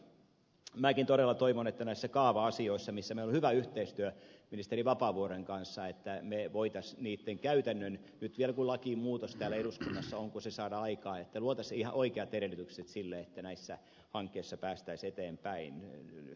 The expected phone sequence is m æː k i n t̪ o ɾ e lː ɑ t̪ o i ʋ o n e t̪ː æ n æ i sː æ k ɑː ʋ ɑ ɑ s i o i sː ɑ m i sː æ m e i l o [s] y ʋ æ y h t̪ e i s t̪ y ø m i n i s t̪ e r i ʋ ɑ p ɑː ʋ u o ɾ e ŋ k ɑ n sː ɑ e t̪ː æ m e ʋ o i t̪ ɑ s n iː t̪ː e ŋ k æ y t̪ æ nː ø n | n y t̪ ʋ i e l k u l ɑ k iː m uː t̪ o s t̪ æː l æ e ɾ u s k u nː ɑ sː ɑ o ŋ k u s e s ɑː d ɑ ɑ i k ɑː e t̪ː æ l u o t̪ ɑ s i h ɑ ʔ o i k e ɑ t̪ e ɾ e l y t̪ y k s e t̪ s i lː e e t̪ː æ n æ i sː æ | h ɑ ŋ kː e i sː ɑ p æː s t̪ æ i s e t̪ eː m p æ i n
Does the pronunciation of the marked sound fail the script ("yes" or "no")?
yes